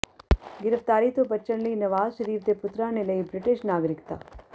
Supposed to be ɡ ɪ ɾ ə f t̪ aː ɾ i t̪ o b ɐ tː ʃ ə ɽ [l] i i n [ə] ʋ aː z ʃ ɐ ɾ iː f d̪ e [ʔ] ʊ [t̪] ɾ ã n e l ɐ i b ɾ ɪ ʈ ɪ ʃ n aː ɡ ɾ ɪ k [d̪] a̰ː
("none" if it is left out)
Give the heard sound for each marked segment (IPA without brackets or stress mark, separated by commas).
l, ɐ, p, t̪, t̪